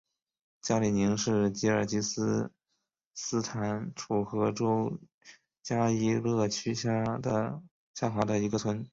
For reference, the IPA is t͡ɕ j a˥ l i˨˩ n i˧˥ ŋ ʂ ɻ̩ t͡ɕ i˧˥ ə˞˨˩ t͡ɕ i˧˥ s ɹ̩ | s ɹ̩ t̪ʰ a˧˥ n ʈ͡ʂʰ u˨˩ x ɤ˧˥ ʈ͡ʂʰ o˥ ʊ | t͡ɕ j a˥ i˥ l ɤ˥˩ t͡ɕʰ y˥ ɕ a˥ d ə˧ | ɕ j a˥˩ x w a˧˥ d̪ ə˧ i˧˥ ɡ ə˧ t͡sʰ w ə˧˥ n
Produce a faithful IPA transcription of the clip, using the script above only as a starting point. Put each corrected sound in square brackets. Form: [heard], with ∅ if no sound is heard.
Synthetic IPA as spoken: t͡ɕ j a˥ l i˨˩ n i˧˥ ŋ ʂ ɻ̩ t͡ɕ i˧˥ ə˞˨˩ t͡ɕ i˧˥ s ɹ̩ | s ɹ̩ t̪ʰ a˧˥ n ʈ͡ʂʰ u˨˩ x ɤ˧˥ [ʈ͡ʂ] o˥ ʊ | t͡ɕ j a˥ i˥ l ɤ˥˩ t͡ɕʰ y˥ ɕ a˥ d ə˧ | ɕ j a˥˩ x w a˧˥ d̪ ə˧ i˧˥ ɡ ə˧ t͡sʰ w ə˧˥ n